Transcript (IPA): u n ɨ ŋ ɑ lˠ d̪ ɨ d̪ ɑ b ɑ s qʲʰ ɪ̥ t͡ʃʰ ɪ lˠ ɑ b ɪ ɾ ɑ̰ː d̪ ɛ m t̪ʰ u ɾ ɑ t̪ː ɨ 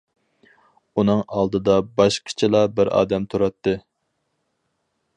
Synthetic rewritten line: u n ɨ ŋ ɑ lˠ d̪ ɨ d̪ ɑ b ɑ ʃ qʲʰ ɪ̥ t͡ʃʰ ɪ lˠ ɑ b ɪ ɾ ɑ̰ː d̪ ɛ m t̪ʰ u ɾ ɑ t̪ː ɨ